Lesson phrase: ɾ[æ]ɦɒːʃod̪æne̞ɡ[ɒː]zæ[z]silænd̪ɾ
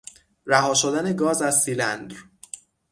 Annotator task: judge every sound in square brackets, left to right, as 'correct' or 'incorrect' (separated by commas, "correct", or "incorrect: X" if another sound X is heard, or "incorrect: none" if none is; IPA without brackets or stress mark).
correct, correct, correct